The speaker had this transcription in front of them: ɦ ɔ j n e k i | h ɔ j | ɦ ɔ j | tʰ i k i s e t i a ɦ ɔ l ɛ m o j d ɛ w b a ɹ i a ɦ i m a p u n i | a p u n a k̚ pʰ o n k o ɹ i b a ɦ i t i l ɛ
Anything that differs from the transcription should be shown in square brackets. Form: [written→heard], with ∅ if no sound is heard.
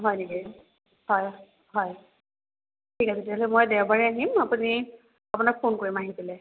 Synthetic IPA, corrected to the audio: ɦ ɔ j n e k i | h ɔ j | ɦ ɔ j | tʰ i k [i→a] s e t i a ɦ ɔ l ɛ m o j d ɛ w b a ɹ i a ɦ i m a p u n i | a p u n a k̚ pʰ o n k o ɹ i [b→m] a ɦ i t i l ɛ